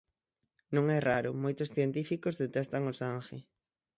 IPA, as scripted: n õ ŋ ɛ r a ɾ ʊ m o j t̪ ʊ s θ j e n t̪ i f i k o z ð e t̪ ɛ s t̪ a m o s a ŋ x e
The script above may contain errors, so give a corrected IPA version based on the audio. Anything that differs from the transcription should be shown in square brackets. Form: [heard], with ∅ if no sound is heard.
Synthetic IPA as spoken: n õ ŋ ɛ r a ɾ ʊ m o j t̪ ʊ s θ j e n t̪ i f i k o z ð e t̪ ɛ s t̪ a [ŋ] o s a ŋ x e